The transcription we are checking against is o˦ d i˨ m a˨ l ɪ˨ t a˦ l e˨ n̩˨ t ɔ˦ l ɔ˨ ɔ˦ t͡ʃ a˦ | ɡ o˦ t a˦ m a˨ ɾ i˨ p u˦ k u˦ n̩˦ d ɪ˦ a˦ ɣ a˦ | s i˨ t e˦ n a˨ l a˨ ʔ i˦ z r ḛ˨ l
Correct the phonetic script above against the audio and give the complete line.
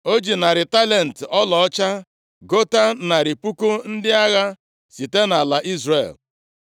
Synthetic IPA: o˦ d͡ʒ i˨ n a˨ ɾ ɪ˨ t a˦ l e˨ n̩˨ t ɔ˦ l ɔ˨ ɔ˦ t͡ʃ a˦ | ɡ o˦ t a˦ n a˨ ɾ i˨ p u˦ k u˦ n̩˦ d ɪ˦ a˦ ɣ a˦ | s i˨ t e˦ n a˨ l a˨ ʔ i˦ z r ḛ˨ l